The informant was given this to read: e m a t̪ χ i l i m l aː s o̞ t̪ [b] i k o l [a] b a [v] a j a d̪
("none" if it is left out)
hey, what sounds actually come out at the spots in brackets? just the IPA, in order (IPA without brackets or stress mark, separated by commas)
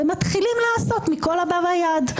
m, a, v